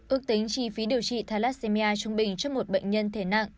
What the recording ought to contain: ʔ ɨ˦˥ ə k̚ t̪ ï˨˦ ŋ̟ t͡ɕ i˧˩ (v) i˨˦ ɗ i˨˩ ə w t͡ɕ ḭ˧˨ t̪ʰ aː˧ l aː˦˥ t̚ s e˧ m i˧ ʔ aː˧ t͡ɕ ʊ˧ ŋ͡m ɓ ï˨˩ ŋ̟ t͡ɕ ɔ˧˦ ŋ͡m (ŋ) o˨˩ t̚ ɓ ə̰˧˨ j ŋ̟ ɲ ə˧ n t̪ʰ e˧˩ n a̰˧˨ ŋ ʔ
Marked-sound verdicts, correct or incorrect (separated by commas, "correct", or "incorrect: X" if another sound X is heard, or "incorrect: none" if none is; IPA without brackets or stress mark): incorrect: f, incorrect: m